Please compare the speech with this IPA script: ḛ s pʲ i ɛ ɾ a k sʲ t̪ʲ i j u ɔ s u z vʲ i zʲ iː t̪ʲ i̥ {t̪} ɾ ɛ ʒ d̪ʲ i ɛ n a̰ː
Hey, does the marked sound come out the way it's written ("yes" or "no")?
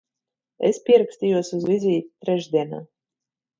yes